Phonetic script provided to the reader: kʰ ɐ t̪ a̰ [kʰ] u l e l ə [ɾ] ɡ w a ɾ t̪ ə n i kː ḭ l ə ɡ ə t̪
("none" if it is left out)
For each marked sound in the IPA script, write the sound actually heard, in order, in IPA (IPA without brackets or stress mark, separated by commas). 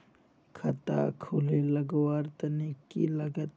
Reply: kʰ, none